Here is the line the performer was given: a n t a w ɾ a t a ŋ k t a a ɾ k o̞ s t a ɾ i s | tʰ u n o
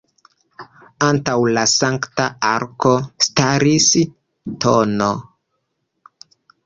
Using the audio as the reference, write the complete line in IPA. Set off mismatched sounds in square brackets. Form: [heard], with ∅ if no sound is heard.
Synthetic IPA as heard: a n t a w [l] a [s] a ŋ k t a a ɾ k o̞ s t a ɾ i s | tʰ [o] n o